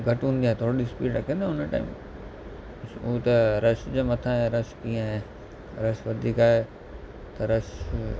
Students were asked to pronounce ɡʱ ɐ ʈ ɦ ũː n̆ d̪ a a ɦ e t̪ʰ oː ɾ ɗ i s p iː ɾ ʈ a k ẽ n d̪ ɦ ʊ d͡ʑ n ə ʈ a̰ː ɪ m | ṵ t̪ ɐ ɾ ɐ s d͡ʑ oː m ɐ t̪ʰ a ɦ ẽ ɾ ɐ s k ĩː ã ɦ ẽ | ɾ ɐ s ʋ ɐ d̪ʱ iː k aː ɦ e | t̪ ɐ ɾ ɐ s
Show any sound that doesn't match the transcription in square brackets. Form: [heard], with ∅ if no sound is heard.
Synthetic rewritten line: ɡʱ ɐ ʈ ɦ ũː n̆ d̪ [i] a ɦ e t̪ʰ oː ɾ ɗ i s p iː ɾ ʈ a k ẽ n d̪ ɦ ʊ [∅] n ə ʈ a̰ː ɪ m | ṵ t̪ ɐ ɾ ɐ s d͡ʑ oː m ɐ t̪ʰ a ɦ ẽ ɾ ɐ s k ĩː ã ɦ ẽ | ɾ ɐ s ʋ ɐ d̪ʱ iː k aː ɦ e | t̪ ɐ ɾ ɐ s